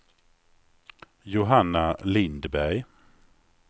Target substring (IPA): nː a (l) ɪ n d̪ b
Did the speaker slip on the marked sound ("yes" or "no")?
no